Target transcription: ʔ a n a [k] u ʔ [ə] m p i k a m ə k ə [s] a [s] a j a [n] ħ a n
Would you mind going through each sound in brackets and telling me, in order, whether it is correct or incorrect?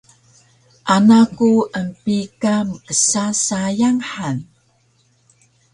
correct, correct, correct, correct, incorrect: ŋ

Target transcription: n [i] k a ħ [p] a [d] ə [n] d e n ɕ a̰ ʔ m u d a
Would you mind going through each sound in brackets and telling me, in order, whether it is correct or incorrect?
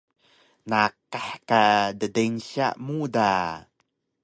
incorrect: a, incorrect: k, correct, incorrect: none

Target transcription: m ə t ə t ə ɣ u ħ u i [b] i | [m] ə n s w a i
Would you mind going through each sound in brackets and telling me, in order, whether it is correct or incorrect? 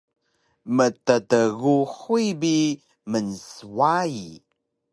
correct, correct

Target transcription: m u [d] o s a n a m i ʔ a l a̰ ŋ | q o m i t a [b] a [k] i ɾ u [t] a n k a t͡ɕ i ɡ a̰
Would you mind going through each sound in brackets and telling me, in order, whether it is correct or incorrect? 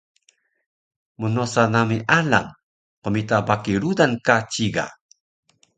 incorrect: n, correct, correct, incorrect: d

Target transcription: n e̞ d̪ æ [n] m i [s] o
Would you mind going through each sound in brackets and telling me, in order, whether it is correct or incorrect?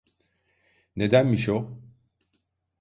correct, incorrect: ʃ

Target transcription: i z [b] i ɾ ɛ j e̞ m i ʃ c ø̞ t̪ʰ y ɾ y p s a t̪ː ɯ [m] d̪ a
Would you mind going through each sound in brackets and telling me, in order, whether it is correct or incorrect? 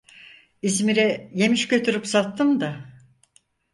incorrect: m, correct

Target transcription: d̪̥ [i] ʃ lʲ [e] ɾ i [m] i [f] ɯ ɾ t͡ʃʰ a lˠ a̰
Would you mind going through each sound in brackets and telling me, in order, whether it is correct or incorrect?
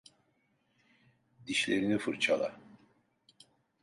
correct, correct, incorrect: n, correct

